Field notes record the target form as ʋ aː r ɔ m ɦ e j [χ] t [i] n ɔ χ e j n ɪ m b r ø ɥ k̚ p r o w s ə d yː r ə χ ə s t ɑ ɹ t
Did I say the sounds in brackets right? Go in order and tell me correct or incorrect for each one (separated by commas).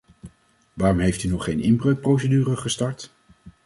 incorrect, incorrect